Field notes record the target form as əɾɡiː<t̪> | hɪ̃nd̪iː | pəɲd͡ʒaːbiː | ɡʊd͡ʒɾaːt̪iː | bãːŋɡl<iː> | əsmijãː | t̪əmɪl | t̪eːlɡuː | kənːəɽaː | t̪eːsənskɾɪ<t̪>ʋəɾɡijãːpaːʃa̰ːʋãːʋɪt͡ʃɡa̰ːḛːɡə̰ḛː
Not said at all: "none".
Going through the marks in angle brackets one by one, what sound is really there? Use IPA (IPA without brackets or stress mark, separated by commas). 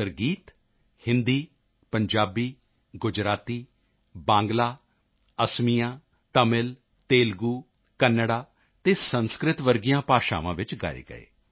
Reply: t̪, aː, t̪